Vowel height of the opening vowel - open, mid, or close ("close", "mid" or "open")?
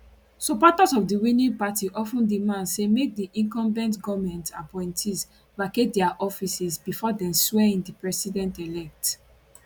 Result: mid